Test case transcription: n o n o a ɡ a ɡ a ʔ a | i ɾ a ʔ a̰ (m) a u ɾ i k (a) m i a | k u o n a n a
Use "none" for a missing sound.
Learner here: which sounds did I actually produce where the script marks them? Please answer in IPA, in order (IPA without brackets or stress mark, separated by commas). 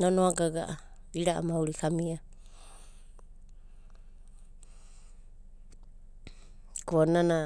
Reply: m, a